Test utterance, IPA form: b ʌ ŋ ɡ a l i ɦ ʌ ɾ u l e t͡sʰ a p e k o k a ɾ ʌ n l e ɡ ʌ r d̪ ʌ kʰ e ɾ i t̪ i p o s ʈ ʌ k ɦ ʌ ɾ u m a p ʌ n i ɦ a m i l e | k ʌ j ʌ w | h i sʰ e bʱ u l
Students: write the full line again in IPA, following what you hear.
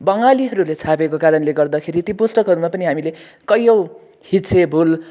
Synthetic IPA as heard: b ʌ ŋ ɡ a l i ɦ ʌ ɾ u l e t͡sʰ a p e k o k a ɾ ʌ n l e ɡ ʌ r d̪ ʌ kʰ e ɾ i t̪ i p o s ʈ ʌ k ɦ ʌ ɾ u m a p ʌ n i ɦ a m i l e | k ʌ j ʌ w | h i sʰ e bʱ u l